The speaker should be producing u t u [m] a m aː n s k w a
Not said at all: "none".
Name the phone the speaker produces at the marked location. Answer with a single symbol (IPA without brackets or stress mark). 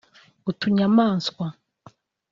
ɲ